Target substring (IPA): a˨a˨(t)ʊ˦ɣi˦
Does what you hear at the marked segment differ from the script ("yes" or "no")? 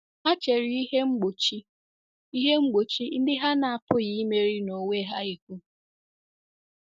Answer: yes